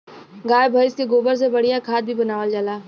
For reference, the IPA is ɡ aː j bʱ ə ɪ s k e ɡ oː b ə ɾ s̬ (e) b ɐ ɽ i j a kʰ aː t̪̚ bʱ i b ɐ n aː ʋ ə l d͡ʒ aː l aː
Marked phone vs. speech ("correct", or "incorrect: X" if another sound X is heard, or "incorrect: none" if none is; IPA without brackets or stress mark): correct